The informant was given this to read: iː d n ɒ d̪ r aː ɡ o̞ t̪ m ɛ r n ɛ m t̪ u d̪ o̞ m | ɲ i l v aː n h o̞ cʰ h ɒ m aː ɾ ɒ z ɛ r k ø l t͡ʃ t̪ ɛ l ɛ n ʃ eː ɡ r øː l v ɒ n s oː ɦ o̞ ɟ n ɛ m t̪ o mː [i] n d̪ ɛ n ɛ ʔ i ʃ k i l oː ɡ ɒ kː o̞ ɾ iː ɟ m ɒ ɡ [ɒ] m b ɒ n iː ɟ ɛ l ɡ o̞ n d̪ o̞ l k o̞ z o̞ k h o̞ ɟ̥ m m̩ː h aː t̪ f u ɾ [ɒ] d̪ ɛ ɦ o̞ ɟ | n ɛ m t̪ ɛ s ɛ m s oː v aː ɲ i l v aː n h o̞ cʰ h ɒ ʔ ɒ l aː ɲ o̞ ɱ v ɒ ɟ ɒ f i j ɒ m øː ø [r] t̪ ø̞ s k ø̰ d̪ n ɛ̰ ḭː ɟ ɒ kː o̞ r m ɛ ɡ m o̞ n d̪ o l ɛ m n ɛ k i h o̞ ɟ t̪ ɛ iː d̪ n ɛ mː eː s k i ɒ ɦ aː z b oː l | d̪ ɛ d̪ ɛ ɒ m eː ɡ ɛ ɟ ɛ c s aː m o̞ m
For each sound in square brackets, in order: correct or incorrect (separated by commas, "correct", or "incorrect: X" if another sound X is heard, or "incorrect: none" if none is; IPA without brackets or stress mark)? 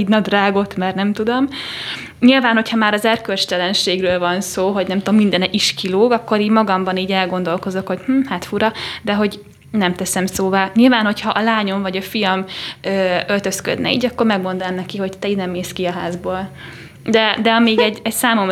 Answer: correct, correct, correct, incorrect: l